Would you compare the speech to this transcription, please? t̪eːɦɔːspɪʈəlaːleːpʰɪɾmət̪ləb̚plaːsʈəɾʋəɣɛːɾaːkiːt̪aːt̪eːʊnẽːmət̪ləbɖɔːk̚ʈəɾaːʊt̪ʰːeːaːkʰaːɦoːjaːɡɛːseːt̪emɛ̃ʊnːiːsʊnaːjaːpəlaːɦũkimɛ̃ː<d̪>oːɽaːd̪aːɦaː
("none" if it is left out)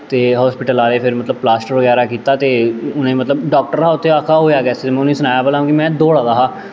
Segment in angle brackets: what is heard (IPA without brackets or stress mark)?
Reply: d̪